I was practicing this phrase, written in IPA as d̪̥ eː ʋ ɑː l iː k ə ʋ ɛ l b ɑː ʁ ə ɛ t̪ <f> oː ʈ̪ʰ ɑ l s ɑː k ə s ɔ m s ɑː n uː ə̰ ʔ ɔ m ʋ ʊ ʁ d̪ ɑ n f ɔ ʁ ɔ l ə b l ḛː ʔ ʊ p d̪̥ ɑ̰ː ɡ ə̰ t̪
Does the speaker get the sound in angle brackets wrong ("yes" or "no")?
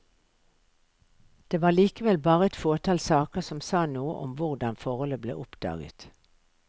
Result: no